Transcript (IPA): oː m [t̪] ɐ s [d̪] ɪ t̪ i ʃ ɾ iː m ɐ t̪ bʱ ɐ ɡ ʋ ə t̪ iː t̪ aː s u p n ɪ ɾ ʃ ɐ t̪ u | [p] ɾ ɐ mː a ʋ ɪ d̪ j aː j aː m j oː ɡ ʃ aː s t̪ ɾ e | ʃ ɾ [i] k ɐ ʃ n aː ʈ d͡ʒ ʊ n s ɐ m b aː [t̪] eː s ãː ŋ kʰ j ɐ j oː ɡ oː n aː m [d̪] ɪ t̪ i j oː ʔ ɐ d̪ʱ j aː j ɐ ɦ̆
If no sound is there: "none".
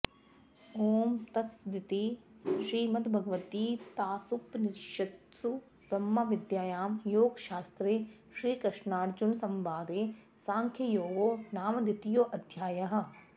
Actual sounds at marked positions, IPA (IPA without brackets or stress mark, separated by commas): t̪, d̪, b, iː, d̪, d̪